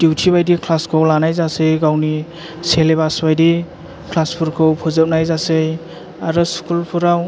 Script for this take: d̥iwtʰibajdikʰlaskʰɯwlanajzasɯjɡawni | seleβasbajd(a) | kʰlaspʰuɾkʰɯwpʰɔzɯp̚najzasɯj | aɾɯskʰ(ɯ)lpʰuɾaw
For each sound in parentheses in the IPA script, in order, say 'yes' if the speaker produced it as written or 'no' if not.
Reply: no, no

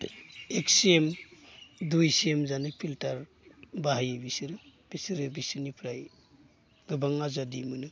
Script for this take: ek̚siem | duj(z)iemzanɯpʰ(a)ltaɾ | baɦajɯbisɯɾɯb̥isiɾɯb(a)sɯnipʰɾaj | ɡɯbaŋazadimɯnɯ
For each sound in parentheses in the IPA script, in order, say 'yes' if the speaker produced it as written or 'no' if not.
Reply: no, no, no

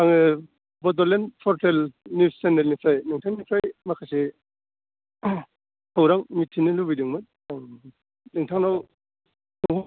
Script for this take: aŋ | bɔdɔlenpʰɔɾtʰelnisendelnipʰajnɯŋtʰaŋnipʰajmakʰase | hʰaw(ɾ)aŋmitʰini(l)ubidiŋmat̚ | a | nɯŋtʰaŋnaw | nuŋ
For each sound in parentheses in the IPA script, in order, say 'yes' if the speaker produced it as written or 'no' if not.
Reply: yes, yes

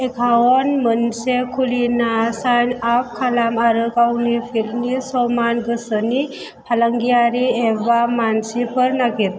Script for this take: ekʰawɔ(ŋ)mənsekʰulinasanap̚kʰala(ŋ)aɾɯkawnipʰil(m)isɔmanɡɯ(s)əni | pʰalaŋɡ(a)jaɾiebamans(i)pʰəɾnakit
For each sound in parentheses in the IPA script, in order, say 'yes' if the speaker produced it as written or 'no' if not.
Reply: no, no, no, yes, no, yes

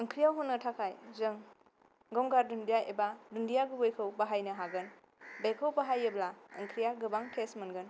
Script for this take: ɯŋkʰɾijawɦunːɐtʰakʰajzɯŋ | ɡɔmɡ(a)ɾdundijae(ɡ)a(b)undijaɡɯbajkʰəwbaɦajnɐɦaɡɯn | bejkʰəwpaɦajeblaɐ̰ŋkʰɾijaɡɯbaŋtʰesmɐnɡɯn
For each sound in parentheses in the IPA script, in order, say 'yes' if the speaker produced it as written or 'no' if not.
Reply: yes, no, no

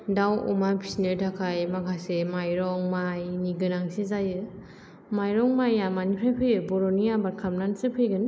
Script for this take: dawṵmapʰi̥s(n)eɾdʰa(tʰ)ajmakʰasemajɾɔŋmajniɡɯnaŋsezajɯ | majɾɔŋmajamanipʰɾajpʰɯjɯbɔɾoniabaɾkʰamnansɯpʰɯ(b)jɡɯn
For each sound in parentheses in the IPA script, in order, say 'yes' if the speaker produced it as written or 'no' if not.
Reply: yes, no, no

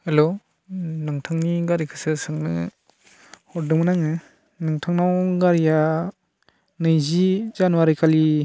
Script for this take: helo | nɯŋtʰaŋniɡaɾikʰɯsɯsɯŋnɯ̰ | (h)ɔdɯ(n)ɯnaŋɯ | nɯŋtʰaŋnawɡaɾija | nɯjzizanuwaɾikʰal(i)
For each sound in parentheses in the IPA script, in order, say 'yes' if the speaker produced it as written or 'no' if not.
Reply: yes, no, yes

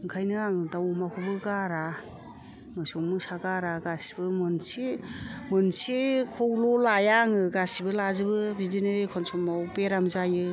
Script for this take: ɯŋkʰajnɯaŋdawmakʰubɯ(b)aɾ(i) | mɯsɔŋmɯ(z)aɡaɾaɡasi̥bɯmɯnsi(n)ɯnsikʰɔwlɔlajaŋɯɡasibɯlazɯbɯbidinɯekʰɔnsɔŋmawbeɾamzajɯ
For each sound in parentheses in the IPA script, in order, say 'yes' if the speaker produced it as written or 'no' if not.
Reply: no, no, no, no

